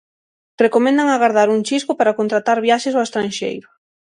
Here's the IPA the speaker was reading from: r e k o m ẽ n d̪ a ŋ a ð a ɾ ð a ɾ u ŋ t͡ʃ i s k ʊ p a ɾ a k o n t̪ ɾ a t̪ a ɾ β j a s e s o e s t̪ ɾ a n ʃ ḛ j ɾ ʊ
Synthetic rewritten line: r e k o m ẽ n d̪ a ŋ a ɣ a ɾ ð a ɾ u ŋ t͡ʃ i s k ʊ p a ɾ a k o n t̪ ɾ a t̪ a ɾ β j a ʃ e s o e s t̪ ɾ a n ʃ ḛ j ɾ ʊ